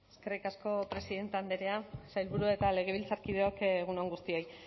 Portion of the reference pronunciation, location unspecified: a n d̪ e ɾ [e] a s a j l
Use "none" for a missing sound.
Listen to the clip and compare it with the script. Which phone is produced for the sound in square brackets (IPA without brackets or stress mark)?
e